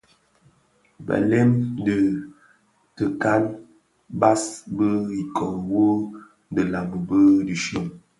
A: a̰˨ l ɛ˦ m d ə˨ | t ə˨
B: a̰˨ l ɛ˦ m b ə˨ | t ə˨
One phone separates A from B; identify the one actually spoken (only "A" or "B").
A